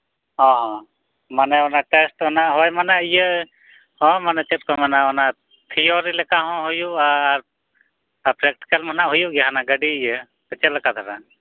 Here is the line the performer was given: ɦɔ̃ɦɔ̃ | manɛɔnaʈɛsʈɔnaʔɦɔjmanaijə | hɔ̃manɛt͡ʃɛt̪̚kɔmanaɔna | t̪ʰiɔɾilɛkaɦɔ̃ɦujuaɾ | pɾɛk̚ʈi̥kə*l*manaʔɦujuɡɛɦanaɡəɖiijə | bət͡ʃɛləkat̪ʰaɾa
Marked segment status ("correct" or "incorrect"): correct